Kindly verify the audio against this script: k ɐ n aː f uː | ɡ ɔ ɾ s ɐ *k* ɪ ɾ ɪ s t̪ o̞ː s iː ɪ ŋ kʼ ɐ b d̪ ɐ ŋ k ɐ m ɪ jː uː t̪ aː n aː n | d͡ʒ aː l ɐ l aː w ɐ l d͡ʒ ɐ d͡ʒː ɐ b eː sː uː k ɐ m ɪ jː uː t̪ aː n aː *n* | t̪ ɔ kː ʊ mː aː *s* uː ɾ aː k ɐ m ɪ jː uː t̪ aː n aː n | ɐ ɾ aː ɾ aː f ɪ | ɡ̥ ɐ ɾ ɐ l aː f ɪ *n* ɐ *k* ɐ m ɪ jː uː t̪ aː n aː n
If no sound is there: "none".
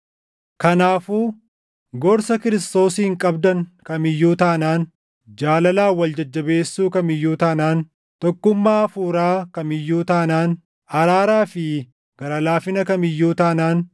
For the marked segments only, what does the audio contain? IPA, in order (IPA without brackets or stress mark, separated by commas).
k, n, f, n, k